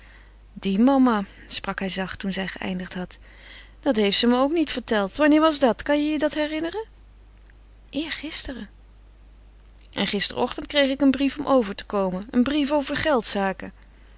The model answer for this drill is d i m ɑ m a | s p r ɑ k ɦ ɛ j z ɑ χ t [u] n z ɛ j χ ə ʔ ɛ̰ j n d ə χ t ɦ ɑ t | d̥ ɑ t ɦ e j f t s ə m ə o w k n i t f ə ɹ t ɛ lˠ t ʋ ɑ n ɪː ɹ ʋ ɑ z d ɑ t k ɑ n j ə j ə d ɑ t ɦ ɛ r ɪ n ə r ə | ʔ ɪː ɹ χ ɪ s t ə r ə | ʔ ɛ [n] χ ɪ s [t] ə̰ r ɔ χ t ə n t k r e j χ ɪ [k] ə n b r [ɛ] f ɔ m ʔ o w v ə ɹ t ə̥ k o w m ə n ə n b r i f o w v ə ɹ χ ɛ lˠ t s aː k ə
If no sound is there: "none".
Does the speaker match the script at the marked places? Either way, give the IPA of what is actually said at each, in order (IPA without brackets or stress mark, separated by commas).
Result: u, n, t, k, i